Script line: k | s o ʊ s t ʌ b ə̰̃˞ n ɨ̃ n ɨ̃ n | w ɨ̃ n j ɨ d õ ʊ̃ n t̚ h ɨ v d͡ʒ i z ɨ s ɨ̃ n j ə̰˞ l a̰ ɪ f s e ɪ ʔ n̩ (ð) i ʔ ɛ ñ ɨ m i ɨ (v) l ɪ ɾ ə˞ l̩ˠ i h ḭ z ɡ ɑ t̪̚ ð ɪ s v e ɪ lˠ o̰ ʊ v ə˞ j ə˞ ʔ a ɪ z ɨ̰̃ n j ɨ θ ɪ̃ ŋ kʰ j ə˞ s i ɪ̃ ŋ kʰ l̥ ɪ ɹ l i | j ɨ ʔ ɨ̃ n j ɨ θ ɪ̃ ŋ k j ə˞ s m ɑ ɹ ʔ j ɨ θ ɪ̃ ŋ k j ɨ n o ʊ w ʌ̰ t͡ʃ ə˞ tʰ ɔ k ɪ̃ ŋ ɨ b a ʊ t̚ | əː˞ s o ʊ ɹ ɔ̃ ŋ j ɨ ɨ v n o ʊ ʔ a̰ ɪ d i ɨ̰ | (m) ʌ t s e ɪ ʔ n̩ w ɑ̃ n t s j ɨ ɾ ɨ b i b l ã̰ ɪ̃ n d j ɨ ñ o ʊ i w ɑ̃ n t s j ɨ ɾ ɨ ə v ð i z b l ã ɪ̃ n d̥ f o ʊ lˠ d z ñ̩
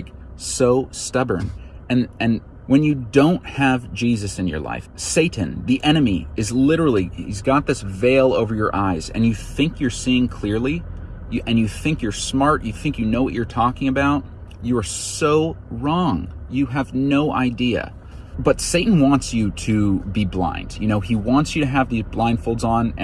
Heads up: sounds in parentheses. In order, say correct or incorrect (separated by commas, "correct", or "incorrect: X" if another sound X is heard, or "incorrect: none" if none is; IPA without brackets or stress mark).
correct, incorrect: z, incorrect: b